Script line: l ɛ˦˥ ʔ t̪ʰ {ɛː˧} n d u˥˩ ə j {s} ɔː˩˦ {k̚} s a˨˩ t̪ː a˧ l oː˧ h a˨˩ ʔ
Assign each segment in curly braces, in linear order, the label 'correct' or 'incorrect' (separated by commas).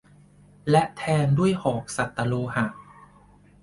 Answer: correct, incorrect, correct